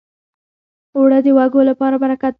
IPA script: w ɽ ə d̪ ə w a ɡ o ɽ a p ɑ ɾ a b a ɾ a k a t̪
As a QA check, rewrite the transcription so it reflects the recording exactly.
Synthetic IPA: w ɽ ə d̪ ə w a ɡ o l a p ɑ ɾ a b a ɾ a k a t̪